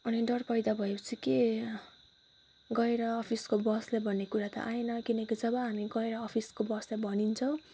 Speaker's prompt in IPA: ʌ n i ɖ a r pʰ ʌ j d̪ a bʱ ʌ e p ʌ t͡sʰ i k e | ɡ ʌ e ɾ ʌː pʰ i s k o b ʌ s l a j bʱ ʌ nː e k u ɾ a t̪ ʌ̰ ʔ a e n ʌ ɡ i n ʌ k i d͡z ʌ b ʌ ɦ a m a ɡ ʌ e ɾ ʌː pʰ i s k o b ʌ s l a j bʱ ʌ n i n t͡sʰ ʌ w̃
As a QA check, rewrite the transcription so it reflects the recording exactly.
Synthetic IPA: ʌ n i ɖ ʌ r p ʌ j d̪ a bʱ ʌ e p ʌ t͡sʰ i k e | ɡ ʌ e ɾ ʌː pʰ i s k o b ʌ s l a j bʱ ʌ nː e k u ɾ a t̪ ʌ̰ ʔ a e n ʌ k i n ʌ k i d͡z ʌ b ʌ ɦ a m i ɡ ʌ e ɾ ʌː pʰ i s k o b ʌ s l a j bʱ ʌ n i n t͡sʰ ʌ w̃